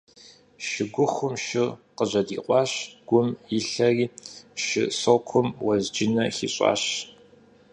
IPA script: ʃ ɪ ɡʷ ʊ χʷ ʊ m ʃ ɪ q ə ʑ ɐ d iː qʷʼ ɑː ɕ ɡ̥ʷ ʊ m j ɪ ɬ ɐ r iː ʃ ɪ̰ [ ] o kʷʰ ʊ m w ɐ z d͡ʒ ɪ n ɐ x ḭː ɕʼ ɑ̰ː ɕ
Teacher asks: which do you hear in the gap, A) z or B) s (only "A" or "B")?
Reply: B